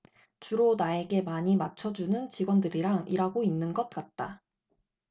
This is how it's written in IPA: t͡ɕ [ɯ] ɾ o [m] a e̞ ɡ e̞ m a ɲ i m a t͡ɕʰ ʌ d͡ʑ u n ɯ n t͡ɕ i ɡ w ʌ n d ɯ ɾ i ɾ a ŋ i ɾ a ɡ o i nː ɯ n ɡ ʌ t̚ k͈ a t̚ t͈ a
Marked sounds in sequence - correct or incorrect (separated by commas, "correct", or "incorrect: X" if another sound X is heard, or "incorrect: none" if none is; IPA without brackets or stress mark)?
incorrect: u, incorrect: n